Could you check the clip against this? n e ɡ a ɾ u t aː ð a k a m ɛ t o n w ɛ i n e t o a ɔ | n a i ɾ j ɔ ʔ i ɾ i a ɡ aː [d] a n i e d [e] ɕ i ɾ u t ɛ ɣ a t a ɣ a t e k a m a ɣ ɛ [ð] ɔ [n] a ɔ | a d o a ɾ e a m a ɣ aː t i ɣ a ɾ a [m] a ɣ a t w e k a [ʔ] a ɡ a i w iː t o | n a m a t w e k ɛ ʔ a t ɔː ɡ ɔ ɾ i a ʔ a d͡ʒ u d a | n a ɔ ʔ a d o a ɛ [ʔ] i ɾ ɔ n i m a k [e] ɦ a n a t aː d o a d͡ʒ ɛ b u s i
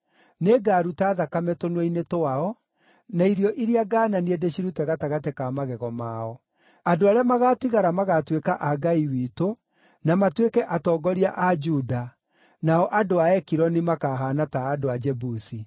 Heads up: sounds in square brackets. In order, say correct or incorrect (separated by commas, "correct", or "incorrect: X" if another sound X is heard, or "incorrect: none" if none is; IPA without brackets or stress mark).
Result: incorrect: n, correct, incorrect: ɣ, incorrect: m, correct, correct, incorrect: k, incorrect: a